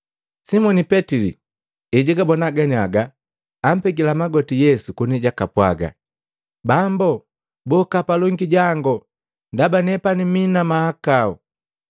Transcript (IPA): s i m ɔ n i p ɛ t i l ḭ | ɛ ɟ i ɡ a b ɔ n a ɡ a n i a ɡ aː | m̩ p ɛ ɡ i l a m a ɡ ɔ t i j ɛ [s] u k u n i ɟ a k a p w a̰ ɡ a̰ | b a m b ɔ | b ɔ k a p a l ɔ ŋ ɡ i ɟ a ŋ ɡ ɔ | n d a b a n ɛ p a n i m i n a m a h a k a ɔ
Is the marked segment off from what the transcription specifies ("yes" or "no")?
no